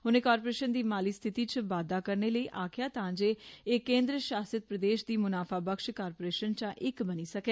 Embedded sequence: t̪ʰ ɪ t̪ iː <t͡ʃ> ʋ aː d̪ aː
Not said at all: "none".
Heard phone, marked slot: t͡ʃ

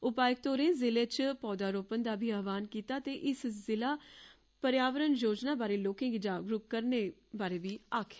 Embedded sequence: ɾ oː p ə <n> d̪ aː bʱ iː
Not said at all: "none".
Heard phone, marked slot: n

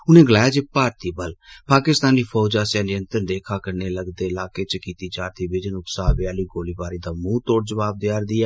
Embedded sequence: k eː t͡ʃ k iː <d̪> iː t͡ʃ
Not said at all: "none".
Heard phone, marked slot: t̪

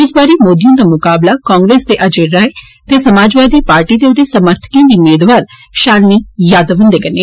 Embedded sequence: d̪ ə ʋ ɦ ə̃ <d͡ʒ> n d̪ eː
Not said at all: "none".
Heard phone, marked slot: none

